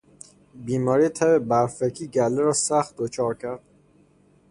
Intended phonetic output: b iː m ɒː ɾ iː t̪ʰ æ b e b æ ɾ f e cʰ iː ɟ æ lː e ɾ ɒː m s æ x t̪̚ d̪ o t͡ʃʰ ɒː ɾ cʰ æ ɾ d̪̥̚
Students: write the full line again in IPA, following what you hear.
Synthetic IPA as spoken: b iː m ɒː ɾ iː t̪ʰ æ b e b æ ɾ f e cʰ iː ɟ æ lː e ɾ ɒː s æ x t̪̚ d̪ o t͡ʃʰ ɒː ɾ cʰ æ ɾ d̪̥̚